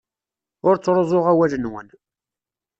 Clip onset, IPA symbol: ʊ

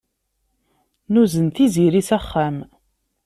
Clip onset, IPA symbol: n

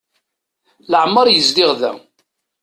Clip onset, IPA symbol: l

